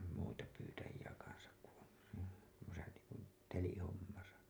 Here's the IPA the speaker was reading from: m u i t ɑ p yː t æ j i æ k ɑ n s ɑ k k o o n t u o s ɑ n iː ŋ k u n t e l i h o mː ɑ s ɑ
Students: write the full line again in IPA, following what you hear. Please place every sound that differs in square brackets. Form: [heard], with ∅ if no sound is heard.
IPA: m u i t ɑ p yː t æ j i æ k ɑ n s ɑ k k [u] o n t u o s ɑ n iː ŋ k u n t e l i h o mː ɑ s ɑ